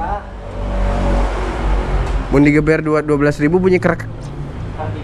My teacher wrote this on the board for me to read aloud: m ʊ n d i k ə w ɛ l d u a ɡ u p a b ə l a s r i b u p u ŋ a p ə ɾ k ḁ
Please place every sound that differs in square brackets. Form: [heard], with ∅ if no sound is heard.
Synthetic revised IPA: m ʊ n d i [ɡ] ə [b] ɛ [r] d u a [d] u [∅] a b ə l a s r i b u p u [ɲ] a [k] ə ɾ k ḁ